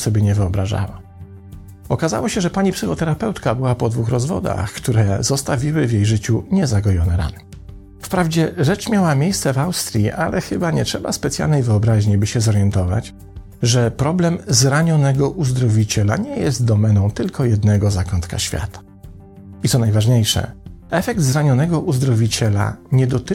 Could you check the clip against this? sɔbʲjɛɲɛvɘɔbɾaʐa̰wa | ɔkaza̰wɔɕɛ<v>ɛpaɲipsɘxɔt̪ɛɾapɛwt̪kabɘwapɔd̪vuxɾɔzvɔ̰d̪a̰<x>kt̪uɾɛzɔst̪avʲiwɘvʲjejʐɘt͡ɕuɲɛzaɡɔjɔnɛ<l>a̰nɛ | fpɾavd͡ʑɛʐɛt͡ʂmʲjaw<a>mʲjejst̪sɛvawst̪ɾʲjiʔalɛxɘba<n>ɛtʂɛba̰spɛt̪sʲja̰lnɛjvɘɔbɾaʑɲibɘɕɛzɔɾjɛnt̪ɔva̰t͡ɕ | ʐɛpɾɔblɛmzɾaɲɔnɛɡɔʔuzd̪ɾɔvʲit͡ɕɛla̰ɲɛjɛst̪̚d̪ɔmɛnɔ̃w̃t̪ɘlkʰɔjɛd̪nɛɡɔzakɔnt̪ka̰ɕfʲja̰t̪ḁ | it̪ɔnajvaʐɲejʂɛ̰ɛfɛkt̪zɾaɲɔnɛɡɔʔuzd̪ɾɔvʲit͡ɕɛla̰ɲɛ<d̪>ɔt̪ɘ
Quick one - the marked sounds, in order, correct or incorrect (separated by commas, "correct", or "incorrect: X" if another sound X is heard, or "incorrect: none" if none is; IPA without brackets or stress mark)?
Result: incorrect: ʐ, correct, incorrect: ɾ, correct, incorrect: ɲ, correct